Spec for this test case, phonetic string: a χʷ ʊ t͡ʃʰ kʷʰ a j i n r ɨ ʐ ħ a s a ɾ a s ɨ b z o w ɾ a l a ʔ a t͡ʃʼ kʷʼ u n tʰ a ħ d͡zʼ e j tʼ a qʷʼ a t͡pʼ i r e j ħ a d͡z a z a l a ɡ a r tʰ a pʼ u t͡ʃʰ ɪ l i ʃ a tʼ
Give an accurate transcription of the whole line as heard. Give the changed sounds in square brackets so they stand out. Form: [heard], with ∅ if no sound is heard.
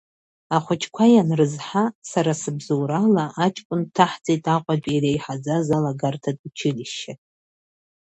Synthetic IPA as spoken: a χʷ ʊ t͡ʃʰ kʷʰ a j [a] n r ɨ [z] ħ a s a ɾ a s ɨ b z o w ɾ a l a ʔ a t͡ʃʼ kʷʼ [ʊ] n tʰ a ħ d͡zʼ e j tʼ a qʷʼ a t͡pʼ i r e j ħ a d͡z a z a l a ɡ a r tʰ a [tʼ] u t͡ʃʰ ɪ l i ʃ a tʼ